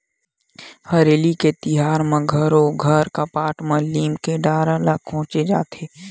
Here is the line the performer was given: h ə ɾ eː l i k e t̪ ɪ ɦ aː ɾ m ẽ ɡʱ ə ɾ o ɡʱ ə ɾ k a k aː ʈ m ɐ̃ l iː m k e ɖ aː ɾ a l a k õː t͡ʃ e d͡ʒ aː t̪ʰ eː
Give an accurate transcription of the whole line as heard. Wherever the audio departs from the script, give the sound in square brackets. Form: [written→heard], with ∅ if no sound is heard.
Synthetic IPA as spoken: h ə ɾ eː l i k e t̪ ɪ ɦ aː ɾ m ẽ ɡʱ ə ɾ o ɡʱ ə ɾ k a [k→p] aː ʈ m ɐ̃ l iː m k e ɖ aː ɾ a l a k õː t͡ʃ e d͡ʒ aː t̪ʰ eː